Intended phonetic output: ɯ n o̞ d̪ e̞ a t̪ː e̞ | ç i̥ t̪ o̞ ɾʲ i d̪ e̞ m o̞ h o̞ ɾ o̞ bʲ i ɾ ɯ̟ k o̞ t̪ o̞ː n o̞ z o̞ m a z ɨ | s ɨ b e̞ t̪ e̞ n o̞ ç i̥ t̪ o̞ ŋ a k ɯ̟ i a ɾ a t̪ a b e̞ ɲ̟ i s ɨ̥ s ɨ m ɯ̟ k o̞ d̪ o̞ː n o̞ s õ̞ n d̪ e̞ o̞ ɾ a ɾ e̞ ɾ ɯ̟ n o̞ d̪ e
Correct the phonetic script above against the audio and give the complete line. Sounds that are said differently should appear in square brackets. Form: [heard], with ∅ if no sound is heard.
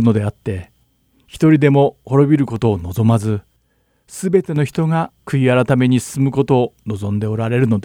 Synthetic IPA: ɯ n o̞ d̪ e̞ a t̪ː e̞ | ç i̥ t̪ o̞ ɾʲ i d̪ e̞ m o̞ h o̞ ɾ o̞ bʲ i ɾ ɯ̟ k o̞ t̪ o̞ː n o̞ z o̞ m a z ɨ | s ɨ b e̞ t̪ e̞ n o̞ ç i̥ t̪ o̞ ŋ a k ɯ̟ i a ɾ a t̪ a [m] e̞ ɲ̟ i s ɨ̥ s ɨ m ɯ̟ k o̞ [t̪] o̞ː n o̞ [z] õ̞ n d̪ e̞ o̞ ɾ a ɾ e̞ ɾ ɯ̟ n o̞ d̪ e